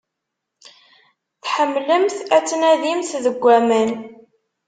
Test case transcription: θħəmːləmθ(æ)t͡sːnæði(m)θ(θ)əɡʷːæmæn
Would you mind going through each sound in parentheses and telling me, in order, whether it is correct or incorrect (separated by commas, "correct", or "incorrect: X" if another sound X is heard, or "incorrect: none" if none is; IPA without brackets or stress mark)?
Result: correct, correct, incorrect: ð